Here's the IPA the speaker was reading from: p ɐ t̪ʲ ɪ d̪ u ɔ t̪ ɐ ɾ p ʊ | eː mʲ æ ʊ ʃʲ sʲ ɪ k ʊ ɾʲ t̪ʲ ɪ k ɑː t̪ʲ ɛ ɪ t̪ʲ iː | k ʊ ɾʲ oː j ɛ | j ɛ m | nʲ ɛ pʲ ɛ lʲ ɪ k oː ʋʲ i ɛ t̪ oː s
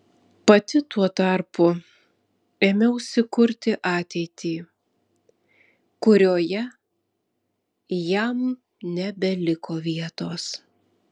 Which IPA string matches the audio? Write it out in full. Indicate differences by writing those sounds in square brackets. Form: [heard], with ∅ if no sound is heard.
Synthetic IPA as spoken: p ɐ t̪ʲ ɪ [t̪] u ɔ t̪ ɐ ɾ p ʊ | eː mʲ [ɛ] ʊ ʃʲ sʲ ɪ k ʊ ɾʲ t̪ʲ ɪ [ʔ] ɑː t̪ʲ ɛ ɪ t̪ʲ iː | k ʊ ɾʲ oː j ɛ | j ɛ m | nʲ ɛ [bʲ] ɛ lʲ ɪ k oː ʋʲ i ɛ t̪ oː s